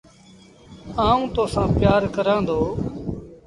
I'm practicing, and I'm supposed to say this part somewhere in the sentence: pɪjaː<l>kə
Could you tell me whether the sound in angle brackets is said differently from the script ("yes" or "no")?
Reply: yes